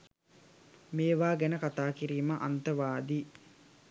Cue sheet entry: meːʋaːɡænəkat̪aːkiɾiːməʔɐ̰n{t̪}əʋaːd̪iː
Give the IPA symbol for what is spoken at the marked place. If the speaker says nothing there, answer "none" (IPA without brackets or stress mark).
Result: t̪